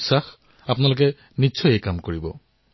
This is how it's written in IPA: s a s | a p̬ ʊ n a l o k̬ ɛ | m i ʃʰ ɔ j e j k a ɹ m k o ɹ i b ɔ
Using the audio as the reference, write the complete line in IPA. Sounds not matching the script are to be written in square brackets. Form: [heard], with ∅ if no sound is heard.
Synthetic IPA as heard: s a [x] | a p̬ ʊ n a l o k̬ ɛ | [n] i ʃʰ ɔ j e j k a [∅] m k o ɹ i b ɔ